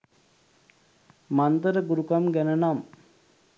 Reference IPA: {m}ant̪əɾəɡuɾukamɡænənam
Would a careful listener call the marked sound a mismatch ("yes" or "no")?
no